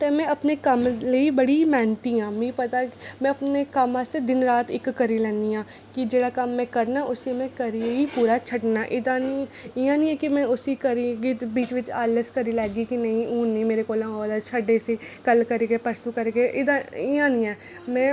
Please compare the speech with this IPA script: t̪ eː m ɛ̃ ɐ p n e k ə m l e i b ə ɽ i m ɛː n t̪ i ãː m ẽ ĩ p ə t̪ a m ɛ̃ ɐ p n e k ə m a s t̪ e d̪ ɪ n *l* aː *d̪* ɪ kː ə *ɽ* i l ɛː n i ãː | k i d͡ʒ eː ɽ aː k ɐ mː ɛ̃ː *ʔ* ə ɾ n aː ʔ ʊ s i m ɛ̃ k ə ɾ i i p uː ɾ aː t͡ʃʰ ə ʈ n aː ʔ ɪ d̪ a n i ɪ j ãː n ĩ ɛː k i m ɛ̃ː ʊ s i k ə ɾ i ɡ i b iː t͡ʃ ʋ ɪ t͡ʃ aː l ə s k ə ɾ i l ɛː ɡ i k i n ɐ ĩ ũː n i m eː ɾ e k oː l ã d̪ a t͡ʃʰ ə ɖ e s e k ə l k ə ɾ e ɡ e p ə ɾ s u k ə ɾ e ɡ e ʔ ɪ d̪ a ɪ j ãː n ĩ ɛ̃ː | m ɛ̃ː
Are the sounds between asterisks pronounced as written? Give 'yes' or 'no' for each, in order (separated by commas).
no, no, no, no